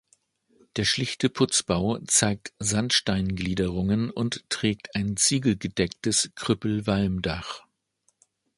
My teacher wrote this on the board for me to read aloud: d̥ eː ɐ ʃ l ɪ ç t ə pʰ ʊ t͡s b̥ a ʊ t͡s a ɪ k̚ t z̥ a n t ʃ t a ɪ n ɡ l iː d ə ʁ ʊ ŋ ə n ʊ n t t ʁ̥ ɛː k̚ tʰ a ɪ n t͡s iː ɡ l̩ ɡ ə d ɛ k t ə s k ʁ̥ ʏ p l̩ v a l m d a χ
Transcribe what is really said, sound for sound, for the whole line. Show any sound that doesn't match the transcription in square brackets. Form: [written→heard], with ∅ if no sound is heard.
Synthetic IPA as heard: d̥ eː ɐ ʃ l ɪ ç t ə pʰ ʊ t͡s b̥ a ʊ t͡s a ɪ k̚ t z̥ a n t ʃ t a ɪ n ɡ l iː d ə ʁ ʊ ŋ ə n ʊ n t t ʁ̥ ɛː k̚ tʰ a ɪ n t͡s iː ɡ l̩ ɡ ə d ɛ k t ə s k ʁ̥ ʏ p l̩ v a l m d a χ